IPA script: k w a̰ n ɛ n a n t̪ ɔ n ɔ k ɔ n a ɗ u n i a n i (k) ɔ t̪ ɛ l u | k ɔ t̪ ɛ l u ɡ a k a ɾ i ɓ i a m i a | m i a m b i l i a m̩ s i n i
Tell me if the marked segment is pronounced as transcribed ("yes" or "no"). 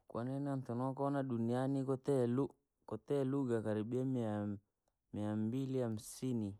yes